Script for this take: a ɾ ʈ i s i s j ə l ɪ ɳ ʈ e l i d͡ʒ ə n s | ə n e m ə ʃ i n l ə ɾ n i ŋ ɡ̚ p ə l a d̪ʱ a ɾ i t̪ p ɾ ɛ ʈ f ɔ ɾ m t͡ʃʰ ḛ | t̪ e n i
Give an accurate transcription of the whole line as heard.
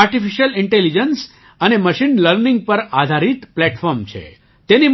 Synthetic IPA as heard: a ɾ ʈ i f i ʃ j ə l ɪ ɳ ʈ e l i d͡ʒ ə n s | ə n e m ə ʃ i n l ə ɾ n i ŋ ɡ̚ p ə ɾ a d̪ʱ a ɾ i t̪ p l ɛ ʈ f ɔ ɾ m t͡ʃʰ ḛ | t̪ e n i